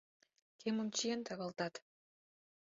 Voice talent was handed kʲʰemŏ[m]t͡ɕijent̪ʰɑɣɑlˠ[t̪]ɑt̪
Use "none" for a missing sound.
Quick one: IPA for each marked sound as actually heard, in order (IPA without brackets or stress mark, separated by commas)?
m, t̪